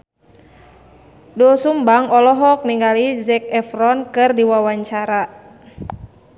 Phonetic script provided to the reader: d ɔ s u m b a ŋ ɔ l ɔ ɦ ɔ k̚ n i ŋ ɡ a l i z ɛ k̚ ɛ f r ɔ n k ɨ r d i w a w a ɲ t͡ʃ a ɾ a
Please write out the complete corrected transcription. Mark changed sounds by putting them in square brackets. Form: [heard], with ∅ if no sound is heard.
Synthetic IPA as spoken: d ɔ s u m b a ŋ ɔ l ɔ ɦ ɔ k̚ n i ŋ ɡ a l i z ɛ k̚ ɛ f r ɔ n k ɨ r d i w a w a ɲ t͡ʃ a ɾ a